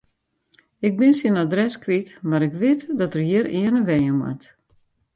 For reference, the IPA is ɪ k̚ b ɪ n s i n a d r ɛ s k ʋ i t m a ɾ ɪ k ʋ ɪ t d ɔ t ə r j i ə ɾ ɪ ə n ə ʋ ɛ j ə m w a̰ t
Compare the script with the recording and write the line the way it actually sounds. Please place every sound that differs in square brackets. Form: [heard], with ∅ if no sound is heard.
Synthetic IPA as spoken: ɪ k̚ b ɪ n s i n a d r ɛ s k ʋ i t m a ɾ ɪ k ʋ ɪ t d ɔ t ə r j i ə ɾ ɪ ə n ə ʋ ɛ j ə m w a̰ t